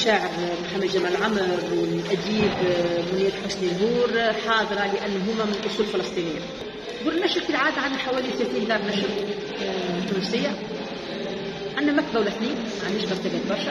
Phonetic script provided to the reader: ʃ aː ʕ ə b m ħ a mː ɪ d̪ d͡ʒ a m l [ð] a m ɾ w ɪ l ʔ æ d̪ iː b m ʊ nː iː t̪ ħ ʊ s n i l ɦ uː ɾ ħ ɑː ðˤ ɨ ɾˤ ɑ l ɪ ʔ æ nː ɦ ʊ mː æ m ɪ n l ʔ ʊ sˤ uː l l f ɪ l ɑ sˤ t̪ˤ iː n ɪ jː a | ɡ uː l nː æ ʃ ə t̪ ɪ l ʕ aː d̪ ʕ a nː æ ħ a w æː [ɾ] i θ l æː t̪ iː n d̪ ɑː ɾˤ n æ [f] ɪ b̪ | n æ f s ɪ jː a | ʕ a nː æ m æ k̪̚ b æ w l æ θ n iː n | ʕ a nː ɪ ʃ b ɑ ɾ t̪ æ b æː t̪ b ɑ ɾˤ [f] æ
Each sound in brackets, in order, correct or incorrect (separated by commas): incorrect, incorrect, incorrect, incorrect